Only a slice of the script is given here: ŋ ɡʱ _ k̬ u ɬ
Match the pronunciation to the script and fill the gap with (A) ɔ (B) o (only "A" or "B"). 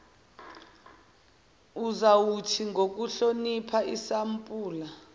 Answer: B